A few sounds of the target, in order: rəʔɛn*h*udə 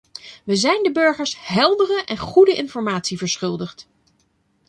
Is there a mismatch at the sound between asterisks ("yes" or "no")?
yes